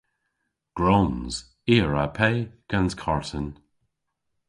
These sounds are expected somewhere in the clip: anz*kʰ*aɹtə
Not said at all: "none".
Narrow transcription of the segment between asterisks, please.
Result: kʰ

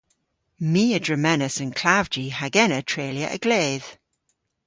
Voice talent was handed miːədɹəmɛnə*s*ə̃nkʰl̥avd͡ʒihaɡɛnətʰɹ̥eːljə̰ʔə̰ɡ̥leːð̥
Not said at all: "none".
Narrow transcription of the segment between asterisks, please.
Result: s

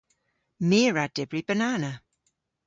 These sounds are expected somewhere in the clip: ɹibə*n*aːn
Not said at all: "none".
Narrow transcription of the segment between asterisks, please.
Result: n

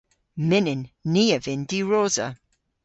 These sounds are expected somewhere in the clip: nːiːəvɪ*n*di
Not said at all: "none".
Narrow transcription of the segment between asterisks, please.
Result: n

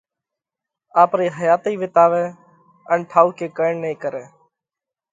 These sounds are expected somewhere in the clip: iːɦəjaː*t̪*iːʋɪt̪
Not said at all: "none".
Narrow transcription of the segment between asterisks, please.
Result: t̪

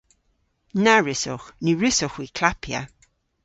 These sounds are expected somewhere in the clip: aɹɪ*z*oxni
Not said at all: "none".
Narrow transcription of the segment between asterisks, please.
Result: s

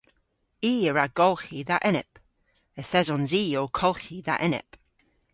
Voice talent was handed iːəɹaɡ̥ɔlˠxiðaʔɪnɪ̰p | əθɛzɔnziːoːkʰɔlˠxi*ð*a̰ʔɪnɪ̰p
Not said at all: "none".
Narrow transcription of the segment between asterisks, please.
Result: ð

